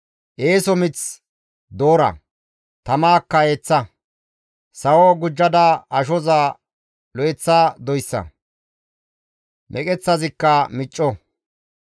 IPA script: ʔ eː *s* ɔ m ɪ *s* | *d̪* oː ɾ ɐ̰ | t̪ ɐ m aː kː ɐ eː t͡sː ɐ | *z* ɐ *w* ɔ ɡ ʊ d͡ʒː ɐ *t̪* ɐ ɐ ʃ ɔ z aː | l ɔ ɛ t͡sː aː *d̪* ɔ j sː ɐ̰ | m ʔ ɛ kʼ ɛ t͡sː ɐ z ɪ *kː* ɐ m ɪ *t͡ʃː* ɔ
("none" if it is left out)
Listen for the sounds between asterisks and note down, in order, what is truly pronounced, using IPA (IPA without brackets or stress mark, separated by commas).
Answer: s, t͡s, d̪, s, w, d̪, d̪, kː, t͡ʃʼː